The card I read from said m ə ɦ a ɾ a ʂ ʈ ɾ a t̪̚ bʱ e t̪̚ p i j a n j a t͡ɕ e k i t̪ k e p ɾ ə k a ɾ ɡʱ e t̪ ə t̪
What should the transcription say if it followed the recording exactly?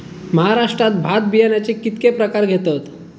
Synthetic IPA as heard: m ə ɦ a ɾ a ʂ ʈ ɾ a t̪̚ bʱ a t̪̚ b i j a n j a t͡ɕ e k i t̪ k e p ɾ ə k a ɾ ɡʱ e t̪ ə t̪

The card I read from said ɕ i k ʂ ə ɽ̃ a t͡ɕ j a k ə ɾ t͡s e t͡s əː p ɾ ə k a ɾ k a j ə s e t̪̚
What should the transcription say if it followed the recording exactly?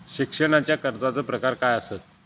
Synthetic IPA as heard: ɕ i k ʂ ə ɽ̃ a t͡ɕ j a k ə ɾ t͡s a t͡s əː p ɾ ə k a ɾ k a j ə s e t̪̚

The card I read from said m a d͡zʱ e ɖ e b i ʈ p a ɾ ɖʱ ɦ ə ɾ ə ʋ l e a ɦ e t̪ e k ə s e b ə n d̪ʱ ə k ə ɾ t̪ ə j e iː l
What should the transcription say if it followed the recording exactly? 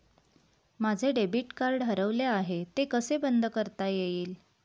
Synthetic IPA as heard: m a d͡zʱ e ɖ e b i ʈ k a ɾ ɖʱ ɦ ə ɾ ə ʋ l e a ɦ e t̪ e k ə s e b ə n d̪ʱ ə k ə ɾ t̪ a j e iː l

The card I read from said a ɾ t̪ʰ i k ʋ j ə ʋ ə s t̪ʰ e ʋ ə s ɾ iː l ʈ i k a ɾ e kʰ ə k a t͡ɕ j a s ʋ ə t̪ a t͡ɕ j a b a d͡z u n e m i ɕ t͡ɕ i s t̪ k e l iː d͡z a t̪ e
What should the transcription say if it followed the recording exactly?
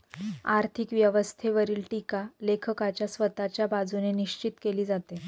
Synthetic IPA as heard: a ɾ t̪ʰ i k ʋ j ə ʋ ə s t̪ʰ e ʋ ə ɾ iː l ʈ i k a l e kʰ ə k a t͡ɕ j a s ʋ ə t̪ a t͡ɕ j a b a d͡z u n e n i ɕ t͡ɕ i t̪ k e l iː d͡z a t̪ e

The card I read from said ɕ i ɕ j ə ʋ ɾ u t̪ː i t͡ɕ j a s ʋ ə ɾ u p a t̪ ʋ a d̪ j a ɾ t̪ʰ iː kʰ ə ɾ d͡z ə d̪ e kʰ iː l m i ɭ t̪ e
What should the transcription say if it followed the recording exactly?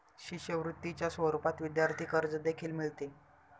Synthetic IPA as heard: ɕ i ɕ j ə ʋ ɾ u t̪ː i t͡ɕ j a s ʋ ə ɾ u p a t̪ ʋ i d̪ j a ɾ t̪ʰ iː k ə ɾ d͡z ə d̪ e kʰ iː l m i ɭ t̪ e

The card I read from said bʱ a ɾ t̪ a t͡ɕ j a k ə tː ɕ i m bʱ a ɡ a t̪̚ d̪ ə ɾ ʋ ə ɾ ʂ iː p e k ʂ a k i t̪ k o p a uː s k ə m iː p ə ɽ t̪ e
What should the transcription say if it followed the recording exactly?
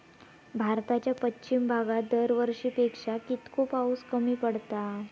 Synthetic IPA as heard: bʱ a ɾ t̪ a t͡ɕ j a p ə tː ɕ i m bʱ a ɡ a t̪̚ d̪ ə ɾ ʋ ə ɾ ʂ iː p e k ʂ a k i t̪ k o p a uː s k ə m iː p ə ɽ t̪ a

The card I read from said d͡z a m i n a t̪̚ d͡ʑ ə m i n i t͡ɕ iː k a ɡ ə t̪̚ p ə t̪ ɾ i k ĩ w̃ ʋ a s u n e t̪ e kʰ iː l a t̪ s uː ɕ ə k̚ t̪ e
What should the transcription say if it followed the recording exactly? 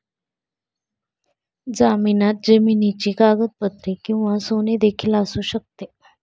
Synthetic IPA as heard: d͡z a m i n a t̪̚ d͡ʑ ə m i n i t͡ɕ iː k a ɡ ə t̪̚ p ə t̪ ɾ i k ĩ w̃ ʋ a s o n e d̪ e kʰ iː l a s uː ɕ ə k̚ t̪ e

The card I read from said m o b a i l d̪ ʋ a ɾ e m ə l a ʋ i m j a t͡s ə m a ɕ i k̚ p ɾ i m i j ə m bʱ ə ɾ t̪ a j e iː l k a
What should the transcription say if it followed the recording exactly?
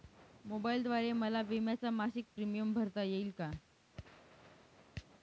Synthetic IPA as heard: m o b a i l d̪ ʋ a ɾ e m ə l a ʋ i m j a t͡s a m a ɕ i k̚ p ɾ i m i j ə m bʱ ə ɾ t̪ a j e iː l k a

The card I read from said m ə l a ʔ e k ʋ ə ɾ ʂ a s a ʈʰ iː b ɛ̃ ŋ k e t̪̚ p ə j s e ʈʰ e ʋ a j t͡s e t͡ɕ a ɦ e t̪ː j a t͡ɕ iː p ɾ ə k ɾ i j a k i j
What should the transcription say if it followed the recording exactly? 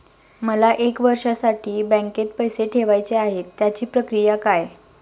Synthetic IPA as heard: m ə l a ʔ e k ʋ ə ɾ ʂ a s a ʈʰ iː b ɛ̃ ŋ k e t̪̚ p ə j s e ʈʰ e ʋ a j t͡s e a ɦ e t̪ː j a t͡ɕ iː p ɾ ə k ɾ i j a k a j

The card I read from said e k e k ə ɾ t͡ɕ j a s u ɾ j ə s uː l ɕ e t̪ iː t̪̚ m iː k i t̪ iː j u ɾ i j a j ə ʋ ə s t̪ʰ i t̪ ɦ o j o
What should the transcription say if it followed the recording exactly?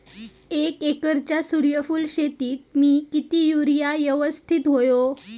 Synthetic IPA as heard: e k e k ə ɾ t͡ɕ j a s u ɾ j ə f uː l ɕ e t̪ iː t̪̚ m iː k i t̪ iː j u ɾ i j a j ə ʋ ə s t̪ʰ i t̪ ɦ o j o

